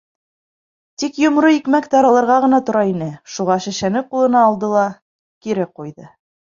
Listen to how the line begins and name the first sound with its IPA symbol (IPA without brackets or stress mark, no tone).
t̪